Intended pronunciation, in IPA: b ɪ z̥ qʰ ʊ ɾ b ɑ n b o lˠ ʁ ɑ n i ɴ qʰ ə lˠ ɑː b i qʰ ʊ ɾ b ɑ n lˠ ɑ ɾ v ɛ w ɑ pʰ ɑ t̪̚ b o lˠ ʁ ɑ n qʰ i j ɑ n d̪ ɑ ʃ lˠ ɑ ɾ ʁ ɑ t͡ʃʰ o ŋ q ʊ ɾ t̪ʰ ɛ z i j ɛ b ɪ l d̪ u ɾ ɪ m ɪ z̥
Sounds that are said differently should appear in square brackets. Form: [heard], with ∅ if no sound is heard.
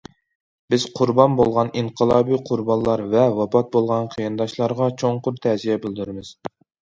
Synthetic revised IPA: b ɪ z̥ qʰ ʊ ɾ b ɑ n b o lˠ ʁ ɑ n i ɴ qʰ ə lˠ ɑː b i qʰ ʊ ɾ b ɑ n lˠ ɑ ɾ v ɛ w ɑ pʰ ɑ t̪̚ b o lˠ ʁ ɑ n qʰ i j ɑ n d̪ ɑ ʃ lˠ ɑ ɾ ʁ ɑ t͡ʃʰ o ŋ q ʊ ɾ t̪ʰ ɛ z i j ɛ b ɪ l d̪ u ɾ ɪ m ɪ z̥